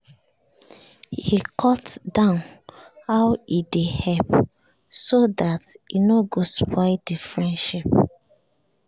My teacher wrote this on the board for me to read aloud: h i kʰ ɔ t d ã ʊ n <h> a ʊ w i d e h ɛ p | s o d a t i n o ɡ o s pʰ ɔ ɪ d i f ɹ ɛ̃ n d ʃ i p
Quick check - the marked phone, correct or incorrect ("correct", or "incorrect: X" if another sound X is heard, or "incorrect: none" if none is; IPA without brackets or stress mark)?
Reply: correct